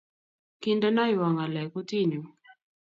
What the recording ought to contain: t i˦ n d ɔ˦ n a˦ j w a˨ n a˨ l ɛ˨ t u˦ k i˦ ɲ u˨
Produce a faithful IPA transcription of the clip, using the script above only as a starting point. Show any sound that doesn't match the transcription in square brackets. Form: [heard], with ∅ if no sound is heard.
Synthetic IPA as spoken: [k] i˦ n d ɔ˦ n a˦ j w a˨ [ŋ] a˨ l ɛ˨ [k] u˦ [t] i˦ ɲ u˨